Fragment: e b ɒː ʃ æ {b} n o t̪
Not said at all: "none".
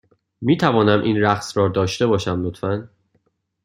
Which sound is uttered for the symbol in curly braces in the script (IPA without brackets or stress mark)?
m